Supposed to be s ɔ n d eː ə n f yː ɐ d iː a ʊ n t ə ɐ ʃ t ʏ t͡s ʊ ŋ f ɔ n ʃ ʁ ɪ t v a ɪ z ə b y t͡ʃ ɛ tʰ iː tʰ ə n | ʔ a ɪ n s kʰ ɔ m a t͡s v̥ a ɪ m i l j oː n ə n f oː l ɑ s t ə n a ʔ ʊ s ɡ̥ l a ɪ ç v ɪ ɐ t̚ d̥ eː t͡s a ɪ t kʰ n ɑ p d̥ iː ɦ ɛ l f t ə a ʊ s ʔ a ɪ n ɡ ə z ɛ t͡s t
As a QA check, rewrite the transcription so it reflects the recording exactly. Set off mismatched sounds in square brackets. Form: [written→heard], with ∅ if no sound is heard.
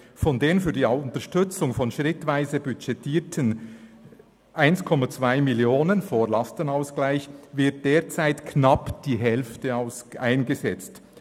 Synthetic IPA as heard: [s→f] ɔ n d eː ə n f yː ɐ d iː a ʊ n t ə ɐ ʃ t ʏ t͡s ʊ ŋ f ɔ n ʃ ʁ ɪ t v a ɪ z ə b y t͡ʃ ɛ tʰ iː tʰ ə n | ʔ a ɪ n s kʰ ɔ m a t͡s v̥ a ɪ m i l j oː n ə n f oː l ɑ s t ə n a [ʔ→∅] ʊ s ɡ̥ l a ɪ ç v ɪ ɐ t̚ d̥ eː t͡s a ɪ t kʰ n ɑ p d̥ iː ɦ ɛ l f t ə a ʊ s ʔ a ɪ n ɡ ə z ɛ t͡s t